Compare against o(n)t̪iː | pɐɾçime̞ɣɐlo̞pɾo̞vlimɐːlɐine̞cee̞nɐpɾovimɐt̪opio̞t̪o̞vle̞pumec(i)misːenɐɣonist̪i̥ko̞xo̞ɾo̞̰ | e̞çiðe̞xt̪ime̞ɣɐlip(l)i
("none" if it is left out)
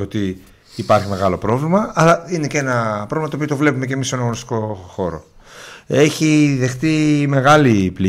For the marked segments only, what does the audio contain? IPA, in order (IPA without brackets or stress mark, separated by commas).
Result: none, e, l